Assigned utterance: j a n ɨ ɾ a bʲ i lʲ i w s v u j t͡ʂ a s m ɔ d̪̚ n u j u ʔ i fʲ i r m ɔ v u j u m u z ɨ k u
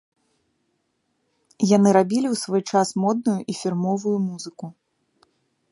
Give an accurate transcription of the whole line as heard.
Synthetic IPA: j a n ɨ ɾ a bʲ i lʲ i w s v ɔ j t͡ʂ a s m ɔ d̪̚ n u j u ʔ i fʲ i r m ɔ v u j u m u z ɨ k u